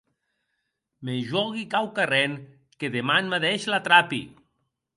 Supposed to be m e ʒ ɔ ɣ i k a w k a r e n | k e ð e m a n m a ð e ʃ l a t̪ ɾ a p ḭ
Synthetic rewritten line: m e ʒ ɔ ɣ i k a w k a r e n | k e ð e m a n m a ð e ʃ l a t̪ ɾ a p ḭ